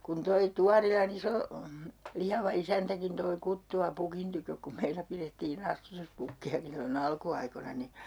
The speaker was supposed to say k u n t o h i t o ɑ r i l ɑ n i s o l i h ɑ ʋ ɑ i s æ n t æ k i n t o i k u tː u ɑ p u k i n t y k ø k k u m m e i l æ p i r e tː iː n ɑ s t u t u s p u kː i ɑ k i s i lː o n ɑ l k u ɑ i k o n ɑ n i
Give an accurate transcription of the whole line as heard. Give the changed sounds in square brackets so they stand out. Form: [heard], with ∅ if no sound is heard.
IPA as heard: k u n t o [∅] i t [u] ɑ r i l ɑ n i s o l i h ɑ ʋ ɑ i s æ n t æ k i n t o i k u tː u ɑ p u k i n t y k ø k k u m m e i l æ p i r e tː iː n ɑ s t u t u s p u kː i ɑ k i s i lː o n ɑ l k u ɑ i k o n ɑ n i